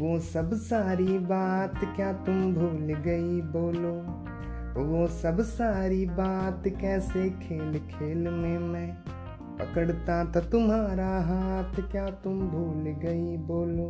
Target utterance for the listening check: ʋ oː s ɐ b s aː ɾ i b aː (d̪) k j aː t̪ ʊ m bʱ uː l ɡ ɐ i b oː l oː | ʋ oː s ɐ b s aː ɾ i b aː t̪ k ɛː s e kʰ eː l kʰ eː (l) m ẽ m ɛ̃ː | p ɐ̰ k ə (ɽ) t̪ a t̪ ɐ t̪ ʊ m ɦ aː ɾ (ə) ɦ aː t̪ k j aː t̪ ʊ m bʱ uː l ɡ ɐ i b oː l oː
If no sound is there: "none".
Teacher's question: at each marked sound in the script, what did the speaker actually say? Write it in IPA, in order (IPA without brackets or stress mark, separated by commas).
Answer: t̪, l, ɽ, a